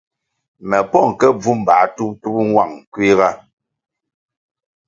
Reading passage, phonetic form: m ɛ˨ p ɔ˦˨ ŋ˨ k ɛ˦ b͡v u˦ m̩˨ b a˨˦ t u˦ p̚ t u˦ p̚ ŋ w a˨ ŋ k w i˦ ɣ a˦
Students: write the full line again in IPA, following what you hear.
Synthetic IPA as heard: m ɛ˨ p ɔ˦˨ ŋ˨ k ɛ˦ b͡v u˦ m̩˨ b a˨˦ t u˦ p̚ t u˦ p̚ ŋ w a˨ ŋ k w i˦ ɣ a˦